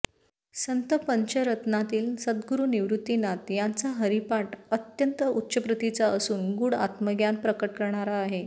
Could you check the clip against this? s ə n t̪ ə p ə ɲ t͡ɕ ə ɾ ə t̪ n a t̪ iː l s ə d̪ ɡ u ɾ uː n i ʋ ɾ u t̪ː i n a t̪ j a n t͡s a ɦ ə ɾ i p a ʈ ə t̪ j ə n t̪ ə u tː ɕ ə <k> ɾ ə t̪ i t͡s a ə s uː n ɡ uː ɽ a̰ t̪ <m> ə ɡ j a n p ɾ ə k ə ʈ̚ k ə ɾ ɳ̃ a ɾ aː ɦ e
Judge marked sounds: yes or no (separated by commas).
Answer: no, yes